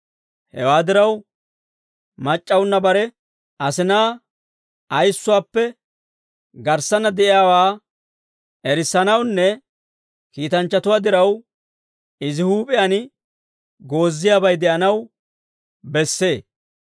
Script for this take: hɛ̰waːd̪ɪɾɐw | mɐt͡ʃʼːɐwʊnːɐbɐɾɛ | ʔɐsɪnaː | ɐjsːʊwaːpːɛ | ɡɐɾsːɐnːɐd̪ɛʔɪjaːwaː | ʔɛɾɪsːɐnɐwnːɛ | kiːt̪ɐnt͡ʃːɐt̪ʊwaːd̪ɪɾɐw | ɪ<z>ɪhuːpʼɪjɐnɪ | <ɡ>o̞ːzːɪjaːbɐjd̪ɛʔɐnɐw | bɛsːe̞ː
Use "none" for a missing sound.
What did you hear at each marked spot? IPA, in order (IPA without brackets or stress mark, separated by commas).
z, ɡ